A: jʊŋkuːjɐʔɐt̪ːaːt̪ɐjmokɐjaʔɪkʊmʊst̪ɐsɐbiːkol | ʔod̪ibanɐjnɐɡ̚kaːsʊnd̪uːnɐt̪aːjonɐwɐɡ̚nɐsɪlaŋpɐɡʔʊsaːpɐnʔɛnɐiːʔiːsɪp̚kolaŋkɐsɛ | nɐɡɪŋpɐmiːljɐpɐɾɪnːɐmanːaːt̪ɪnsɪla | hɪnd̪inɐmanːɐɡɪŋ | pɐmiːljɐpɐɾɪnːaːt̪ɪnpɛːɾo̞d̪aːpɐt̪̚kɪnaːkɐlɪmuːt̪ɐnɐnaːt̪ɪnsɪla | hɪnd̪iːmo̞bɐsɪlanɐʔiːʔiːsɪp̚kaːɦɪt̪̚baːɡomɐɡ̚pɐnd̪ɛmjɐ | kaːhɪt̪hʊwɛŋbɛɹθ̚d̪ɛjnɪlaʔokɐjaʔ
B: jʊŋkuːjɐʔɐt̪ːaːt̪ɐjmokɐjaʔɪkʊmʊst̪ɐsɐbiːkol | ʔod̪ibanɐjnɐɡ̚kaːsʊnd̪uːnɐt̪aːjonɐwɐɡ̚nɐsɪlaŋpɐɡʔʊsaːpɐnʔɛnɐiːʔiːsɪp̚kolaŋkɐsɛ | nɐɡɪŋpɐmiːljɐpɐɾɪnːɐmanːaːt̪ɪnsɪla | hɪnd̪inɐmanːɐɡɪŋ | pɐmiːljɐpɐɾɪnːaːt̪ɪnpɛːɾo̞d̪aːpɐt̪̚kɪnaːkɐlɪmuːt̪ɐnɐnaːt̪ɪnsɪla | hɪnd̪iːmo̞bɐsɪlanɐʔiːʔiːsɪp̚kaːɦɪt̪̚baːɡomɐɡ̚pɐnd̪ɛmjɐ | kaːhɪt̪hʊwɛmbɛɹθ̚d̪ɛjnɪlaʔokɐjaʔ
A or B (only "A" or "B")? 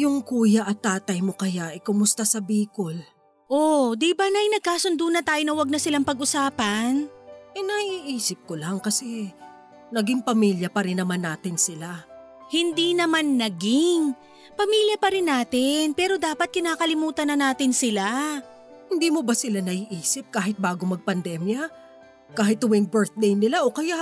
A